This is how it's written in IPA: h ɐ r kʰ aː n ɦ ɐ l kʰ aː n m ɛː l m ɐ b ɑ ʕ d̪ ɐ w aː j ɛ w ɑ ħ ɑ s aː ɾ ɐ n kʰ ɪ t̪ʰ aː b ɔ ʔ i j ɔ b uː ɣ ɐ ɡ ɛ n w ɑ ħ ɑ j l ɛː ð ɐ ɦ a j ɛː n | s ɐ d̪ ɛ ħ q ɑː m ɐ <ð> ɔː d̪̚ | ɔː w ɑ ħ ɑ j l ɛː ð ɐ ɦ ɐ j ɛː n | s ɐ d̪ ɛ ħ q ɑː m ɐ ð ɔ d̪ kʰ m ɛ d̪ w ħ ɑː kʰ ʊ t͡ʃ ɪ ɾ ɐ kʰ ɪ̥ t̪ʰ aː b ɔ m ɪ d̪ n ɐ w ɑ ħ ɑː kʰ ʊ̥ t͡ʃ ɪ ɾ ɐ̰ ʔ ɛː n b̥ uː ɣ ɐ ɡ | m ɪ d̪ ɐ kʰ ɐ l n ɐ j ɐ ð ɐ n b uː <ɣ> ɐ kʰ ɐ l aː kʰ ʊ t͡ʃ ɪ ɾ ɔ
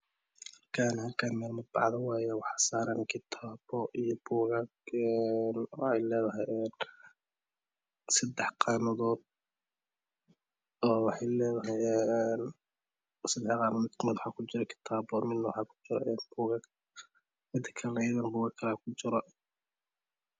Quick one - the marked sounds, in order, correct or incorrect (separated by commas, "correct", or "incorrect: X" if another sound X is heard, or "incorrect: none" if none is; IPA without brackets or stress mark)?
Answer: correct, correct